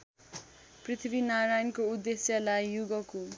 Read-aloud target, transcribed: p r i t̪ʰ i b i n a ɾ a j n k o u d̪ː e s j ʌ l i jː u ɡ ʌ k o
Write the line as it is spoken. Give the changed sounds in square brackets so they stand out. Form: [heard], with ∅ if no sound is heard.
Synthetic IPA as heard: p r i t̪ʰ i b i n a ɾ a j n k o u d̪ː e s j ʌ l [a] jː u ɡ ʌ k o

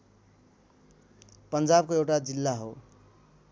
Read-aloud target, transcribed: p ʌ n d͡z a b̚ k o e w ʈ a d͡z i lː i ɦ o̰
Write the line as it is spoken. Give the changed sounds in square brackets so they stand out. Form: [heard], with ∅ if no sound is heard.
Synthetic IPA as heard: p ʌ n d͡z a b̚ k o e w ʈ a d͡z i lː [a] ɦ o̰

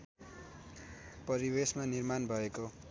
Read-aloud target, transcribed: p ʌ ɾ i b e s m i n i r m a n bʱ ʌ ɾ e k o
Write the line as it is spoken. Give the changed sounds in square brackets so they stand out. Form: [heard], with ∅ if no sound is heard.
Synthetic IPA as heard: p ʌ ɾ i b e s m [a] n i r m a n bʱ ʌ [∅] e k o

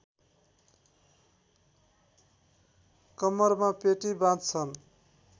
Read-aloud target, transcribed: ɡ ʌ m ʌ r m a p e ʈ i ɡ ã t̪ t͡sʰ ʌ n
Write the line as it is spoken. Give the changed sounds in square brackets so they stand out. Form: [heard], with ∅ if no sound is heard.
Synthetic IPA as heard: [k] ʌ m ʌ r m a p e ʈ i [b] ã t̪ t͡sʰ ʌ n

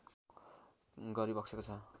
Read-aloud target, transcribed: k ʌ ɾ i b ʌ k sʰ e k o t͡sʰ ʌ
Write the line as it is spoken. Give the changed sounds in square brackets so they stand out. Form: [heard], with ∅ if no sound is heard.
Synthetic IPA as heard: [ɡ] ʌ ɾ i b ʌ k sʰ e k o t͡sʰ ʌ

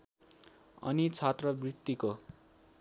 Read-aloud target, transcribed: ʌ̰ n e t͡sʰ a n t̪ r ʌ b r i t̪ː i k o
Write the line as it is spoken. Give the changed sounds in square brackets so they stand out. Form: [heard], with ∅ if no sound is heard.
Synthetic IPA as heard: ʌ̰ n [i] t͡sʰ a [∅] t̪ r ʌ b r i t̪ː i k o

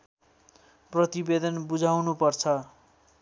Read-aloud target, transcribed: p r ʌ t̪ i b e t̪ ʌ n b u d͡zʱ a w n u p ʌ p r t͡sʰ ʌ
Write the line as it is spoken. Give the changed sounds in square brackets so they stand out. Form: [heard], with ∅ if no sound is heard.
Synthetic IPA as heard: p r ʌ t̪ i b e [d̪] ʌ n b u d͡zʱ a w n u p ʌ [∅] r t͡sʰ ʌ

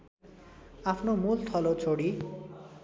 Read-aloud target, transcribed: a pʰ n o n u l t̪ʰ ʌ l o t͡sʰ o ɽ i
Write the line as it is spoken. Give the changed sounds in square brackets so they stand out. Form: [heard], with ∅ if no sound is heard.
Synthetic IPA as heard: a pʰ n o [m] u l t̪ʰ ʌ l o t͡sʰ o ɽ i

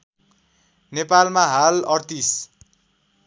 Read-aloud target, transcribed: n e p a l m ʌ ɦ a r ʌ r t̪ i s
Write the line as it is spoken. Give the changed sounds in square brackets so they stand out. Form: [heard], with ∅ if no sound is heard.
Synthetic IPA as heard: n e p a l m [a] ɦ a [l] ʌ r t̪ i s

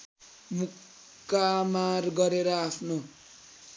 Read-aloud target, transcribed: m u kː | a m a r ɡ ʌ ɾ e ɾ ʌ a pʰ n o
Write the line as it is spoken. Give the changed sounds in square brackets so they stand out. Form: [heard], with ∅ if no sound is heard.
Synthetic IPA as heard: m u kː | a m a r ɡ ʌ ɾ e ɾ ʌ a pʰ n o

